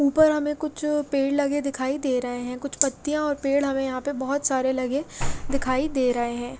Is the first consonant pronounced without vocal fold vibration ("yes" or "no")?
yes